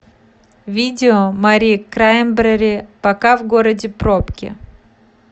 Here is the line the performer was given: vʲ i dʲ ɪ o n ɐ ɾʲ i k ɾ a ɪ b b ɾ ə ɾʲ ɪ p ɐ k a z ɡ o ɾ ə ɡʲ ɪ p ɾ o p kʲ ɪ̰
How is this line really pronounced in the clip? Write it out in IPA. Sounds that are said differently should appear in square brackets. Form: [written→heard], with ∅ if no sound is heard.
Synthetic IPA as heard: vʲ i dʲ ɪ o [n→m] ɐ ɾʲ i k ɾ a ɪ [b→m] b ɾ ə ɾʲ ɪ p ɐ k a [z→v] ɡ o ɾ ə [ɡʲ→dʲ] ɪ p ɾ o p kʲ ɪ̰

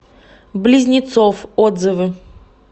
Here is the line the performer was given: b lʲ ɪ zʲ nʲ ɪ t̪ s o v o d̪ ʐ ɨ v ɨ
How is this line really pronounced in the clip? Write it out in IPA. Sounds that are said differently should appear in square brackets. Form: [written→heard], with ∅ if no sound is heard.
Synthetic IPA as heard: b lʲ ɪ zʲ nʲ ɪ t̪ s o [v→f] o d̪ [ʐ→z] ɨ v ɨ

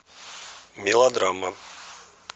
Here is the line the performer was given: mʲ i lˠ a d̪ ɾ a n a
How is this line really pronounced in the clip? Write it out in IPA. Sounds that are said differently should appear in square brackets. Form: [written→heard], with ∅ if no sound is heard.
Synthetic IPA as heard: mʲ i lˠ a d̪ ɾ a [n→m] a

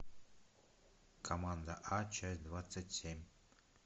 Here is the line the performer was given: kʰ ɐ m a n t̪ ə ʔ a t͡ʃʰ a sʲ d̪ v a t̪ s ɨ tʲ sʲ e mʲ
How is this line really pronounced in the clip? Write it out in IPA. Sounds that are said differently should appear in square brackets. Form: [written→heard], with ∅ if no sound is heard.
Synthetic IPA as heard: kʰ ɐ m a n [t̪→d̪] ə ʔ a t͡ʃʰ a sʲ d̪ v a t̪ s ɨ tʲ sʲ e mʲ

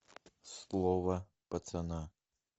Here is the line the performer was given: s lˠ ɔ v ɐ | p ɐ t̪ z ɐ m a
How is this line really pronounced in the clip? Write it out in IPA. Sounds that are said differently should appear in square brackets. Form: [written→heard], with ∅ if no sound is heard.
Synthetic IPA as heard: s lˠ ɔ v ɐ | p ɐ t̪ [z→s] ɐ [m→n] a

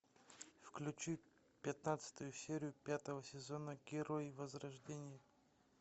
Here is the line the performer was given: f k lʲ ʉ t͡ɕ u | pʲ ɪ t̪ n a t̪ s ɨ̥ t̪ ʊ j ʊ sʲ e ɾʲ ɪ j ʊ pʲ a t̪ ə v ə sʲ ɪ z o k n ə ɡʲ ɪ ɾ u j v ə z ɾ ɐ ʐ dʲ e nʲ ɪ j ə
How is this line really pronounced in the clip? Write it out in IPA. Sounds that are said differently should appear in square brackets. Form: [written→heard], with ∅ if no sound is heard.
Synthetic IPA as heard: f k lʲ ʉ t͡ɕ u | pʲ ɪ t̪ n a t̪ s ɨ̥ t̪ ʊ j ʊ sʲ e ɾʲ ɪ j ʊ pʲ a t̪ ə v ə sʲ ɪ z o [k→∅] n ə ɡʲ ɪ ɾ [u→o] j v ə z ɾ ɐ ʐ dʲ e nʲ ɪ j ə

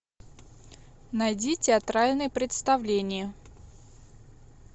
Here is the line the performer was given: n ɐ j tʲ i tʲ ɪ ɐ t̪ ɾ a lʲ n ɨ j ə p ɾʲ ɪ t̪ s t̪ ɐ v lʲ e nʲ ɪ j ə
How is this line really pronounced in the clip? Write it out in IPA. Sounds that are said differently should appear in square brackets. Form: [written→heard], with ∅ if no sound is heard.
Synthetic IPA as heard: n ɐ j [tʲ→dʲ] i tʲ ɪ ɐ t̪ ɾ a lʲ n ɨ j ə p ɾʲ ɪ t̪ s t̪ ɐ v lʲ e nʲ ɪ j ə

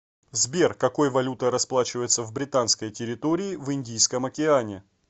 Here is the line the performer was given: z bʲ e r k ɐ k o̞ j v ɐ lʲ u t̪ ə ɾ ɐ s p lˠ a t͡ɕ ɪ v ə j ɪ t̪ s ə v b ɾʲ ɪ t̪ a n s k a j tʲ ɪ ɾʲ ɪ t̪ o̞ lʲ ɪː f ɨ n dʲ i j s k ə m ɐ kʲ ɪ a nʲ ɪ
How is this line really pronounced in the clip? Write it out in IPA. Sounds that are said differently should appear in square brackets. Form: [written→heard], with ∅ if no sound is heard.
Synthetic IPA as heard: z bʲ e r k ɐ k o̞ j v ɐ lʲ u t̪ ə ɾ ɐ s p lˠ a t͡ɕ ɪ v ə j ɪ t̪ s ə v b ɾʲ ɪ t̪ a n s k [a→ə] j tʲ ɪ ɾʲ ɪ t̪ o̞ [lʲ→ɾʲ] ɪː [f→v] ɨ n dʲ i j s k ə m ɐ kʲ ɪ a nʲ ɪ

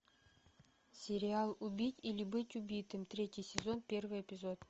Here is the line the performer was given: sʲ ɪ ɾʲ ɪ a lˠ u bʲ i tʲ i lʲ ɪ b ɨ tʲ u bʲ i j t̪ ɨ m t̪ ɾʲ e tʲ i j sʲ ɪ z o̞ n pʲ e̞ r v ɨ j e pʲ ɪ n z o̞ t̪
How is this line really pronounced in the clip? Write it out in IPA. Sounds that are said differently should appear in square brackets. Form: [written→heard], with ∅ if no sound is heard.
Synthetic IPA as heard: sʲ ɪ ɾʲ ɪ a lˠ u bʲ i tʲ i lʲ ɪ b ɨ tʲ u bʲ i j t̪ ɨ m t̪ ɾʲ e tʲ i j sʲ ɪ z o̞ n pʲ e̞ r v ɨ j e pʲ ɪ [n→∅] z o̞ t̪

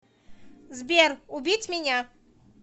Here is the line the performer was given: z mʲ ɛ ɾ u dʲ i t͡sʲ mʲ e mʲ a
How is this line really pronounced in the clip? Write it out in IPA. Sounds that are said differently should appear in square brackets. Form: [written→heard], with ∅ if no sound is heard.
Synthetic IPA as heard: z [mʲ→bʲ] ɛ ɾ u [dʲ→bʲ] i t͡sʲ mʲ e [mʲ→nʲ] a

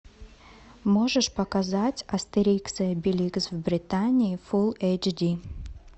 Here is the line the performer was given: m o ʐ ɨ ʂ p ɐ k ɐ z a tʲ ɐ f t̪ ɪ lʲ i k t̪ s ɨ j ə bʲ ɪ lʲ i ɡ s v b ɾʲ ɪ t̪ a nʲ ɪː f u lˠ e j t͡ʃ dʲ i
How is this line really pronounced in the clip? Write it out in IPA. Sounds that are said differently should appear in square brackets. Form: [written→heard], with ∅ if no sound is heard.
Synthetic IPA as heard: m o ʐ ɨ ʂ p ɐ k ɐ z a tʲ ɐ [f→s] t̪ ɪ [lʲ→ɾʲ] i k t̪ s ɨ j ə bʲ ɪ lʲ i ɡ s v b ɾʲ ɪ t̪ a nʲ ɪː f u lˠ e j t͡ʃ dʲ i

